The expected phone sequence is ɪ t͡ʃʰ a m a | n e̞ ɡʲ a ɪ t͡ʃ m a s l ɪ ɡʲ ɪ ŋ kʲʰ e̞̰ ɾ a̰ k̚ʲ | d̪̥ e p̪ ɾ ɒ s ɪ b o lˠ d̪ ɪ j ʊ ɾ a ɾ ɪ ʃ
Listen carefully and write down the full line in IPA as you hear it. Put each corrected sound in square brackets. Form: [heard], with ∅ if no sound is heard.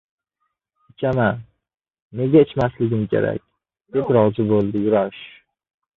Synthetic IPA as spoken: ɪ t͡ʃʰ a m a | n e̞ ɡʲ a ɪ t͡ʃ m a s l ɪ ɡʲ ɪ [m] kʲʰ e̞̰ ɾ a̰ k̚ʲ | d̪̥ e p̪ ɾ ɒ [z] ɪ b o lˠ d̪ ɪ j ʊ ɾ a ɾ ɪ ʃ

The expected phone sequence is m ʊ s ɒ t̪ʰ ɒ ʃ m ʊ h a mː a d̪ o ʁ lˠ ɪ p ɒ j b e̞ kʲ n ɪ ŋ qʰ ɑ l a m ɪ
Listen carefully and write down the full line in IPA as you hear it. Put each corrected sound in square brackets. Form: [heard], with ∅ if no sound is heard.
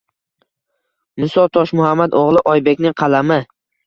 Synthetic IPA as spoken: m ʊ s ɒ t̪ʰ ɒ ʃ m ʊ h a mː a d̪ o ʁ lˠ ɪ [ʔ] ɒ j b e̞ kʲ n ɪ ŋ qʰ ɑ l a m ɪ

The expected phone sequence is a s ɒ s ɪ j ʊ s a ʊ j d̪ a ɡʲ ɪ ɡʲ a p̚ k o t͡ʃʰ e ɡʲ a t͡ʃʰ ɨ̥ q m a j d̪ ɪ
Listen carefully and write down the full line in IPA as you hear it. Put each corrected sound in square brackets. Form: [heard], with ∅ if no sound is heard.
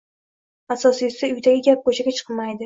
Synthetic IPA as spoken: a s ɒ s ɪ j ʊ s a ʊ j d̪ a ɡʲ ɪ ɡʲ a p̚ k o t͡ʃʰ [a] ɡʲ a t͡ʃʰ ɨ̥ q m a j d̪ ɪ

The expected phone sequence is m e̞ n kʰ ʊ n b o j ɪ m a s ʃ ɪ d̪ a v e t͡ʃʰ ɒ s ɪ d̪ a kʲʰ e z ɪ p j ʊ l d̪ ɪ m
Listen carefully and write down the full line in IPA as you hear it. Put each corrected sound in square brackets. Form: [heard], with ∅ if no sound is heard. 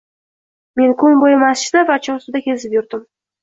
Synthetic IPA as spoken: m e̞ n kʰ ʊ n b o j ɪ m a s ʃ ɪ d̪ a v [a] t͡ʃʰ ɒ s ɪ d̪ a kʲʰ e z ɪ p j ʊ [ɾ] d̪ ɪ m

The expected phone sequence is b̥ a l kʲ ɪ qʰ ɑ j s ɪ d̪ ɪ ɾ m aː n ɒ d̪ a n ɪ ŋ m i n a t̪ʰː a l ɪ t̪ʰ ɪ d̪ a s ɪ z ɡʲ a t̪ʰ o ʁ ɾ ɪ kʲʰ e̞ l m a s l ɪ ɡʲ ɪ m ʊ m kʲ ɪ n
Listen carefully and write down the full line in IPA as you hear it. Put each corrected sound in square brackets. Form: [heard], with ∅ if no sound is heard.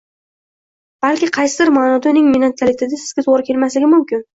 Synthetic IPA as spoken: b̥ a l kʲ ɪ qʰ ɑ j s ɪ d̪ ɪ ɾ m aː n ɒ d̪ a n ɪ ŋ m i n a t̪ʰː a l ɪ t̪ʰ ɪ d̪ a s ɪ z ɡʲ a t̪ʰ o ʁ ɾ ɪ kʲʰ e̞ l m a s l ɪ ɡʲ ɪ m ʊ m kʲ ɪ n

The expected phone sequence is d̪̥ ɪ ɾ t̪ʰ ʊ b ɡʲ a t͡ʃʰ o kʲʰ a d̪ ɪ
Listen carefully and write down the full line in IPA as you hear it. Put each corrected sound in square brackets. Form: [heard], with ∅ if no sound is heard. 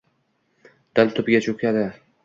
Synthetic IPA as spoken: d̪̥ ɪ [l] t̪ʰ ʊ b ɡʲ a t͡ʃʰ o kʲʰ a d̪ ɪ

